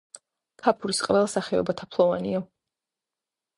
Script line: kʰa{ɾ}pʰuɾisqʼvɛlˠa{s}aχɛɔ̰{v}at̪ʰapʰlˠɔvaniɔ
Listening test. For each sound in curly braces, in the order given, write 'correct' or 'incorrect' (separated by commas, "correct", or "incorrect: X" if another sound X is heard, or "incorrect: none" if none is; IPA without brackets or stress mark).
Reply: incorrect: none, correct, incorrect: b